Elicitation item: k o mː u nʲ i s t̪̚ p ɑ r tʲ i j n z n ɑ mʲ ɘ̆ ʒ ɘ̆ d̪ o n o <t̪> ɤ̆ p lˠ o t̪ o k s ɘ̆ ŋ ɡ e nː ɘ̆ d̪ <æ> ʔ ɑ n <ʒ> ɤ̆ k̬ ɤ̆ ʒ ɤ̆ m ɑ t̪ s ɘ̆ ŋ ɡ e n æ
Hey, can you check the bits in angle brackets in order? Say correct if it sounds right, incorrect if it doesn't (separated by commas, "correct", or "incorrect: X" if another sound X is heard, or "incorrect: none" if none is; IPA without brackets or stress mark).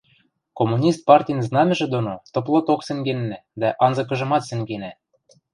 correct, correct, incorrect: z